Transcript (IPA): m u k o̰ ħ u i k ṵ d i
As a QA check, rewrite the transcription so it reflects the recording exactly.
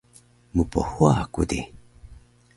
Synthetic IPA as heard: m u p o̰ h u a k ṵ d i

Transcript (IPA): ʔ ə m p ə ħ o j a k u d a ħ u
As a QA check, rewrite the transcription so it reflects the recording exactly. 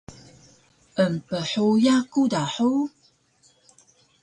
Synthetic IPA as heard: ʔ ə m p ə ħ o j a k u d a ħ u

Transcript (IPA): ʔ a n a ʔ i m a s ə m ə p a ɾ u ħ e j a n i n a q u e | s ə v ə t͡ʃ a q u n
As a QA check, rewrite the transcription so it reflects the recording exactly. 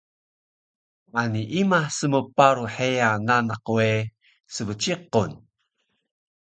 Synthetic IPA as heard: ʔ a n i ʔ i m a s ə m ə p a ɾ u ħ e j a n a n a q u e | s ə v ə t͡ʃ i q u n

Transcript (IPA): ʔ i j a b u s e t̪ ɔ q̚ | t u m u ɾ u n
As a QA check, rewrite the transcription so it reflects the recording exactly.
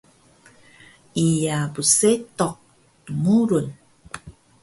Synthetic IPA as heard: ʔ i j a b u s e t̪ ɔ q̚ | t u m u ɾ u n

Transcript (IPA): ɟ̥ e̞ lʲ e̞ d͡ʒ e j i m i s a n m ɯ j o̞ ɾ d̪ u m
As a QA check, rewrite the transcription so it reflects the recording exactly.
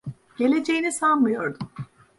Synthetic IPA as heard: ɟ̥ e̞ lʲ e̞ d͡ʒ e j i n i s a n m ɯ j o̞ ɾ d̪ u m

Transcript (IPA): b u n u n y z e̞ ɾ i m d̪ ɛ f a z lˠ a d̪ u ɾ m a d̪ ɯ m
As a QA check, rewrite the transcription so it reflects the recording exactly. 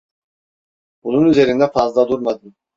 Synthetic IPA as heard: b u n u n y z e̞ ɾ i n d̪ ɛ f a z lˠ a d̪ u ɾ m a d̪ ɯ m

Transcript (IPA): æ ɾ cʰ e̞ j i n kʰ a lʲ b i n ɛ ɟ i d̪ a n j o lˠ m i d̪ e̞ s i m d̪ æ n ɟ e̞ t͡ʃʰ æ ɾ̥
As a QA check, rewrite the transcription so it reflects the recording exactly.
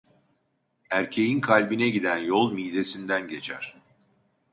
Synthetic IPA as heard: æ ɾ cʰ e̞ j i n kʰ a lʲ b i n ɛ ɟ i d̪ æ n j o lˠ m i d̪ e̞ s i n d̪ æ n ɟ e̞ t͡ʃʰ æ ɾ̥

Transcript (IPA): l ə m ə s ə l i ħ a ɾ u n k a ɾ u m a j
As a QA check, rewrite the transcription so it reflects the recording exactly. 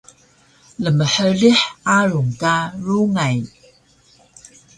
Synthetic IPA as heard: l ə m ə ħ ə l i ħ a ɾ u ŋ k a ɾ u ŋ a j

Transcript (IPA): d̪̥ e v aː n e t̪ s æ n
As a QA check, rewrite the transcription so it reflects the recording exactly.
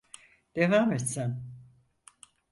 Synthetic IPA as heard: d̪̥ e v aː m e t̪ s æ n

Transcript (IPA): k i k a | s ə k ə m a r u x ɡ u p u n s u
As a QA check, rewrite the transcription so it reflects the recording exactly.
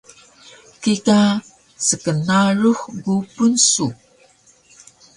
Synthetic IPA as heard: k i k a | s ə k ə n a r u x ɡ u p u n s u

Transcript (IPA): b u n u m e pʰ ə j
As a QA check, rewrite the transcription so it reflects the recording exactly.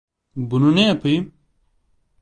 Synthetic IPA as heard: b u n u n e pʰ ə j

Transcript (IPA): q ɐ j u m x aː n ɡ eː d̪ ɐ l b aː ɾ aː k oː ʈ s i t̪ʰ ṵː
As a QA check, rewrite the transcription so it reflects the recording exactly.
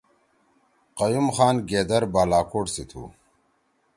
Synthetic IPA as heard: q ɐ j u m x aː n ɡ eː d̪ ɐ ɾ b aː l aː k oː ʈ s i t̪ʰ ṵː

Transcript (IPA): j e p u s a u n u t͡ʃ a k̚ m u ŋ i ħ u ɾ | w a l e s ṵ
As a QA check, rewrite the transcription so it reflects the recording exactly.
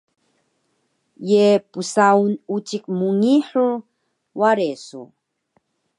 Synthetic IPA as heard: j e p u s a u n u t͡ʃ i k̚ m u ŋ i ħ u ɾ | w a ɾ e s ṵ

